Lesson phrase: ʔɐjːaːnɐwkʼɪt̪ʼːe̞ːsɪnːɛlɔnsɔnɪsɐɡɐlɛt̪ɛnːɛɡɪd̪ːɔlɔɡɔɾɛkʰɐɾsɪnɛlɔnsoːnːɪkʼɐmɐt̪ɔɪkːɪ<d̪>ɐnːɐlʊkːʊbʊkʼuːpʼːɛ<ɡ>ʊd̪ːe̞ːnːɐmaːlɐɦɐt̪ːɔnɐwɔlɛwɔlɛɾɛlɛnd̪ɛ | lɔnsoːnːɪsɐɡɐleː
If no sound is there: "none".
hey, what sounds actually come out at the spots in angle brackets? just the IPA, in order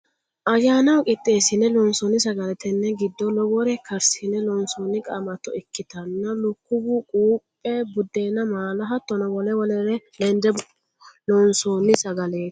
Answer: t̪, b

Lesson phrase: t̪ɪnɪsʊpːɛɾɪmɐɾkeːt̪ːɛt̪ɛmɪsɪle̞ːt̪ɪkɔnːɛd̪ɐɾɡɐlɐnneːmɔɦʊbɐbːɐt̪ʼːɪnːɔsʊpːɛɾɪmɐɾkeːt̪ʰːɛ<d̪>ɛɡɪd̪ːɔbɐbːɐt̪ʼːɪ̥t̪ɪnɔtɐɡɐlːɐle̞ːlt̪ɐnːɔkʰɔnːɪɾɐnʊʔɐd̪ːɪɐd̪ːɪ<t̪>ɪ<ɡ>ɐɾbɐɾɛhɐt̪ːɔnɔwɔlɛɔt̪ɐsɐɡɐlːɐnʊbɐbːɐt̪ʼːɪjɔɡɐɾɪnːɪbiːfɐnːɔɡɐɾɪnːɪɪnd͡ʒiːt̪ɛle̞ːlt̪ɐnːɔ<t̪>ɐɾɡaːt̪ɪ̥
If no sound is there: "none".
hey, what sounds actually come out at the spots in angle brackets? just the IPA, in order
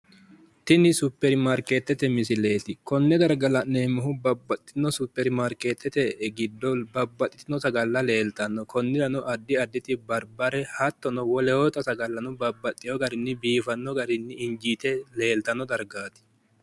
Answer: t̪, t̪, b, d̪

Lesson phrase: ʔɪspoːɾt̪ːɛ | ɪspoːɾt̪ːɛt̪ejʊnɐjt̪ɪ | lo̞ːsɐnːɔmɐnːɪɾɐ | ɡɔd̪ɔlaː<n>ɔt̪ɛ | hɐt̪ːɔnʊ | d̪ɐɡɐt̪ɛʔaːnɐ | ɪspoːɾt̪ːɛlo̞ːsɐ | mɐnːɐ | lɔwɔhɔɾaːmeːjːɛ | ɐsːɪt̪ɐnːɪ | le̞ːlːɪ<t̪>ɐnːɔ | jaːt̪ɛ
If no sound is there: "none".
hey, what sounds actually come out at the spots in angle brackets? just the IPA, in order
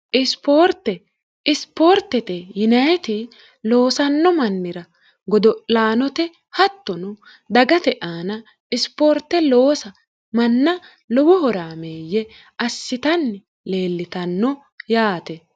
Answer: n, t̪

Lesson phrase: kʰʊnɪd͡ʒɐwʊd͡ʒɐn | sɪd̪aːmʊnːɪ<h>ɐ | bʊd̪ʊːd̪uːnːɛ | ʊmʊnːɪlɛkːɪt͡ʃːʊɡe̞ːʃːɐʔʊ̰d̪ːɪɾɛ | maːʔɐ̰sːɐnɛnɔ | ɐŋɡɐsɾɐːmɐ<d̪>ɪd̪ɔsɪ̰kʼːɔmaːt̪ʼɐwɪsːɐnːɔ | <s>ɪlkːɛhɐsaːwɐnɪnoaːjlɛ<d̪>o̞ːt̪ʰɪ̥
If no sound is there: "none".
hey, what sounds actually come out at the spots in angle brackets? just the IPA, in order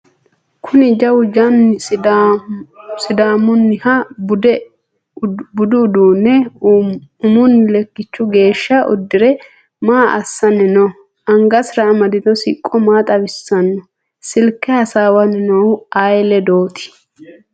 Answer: h, d̪, s, d̪

